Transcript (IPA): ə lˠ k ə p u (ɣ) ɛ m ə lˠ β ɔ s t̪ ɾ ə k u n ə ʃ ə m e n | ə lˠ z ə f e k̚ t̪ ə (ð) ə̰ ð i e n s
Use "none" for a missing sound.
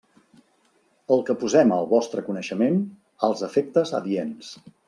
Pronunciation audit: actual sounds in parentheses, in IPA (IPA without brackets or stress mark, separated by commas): z, z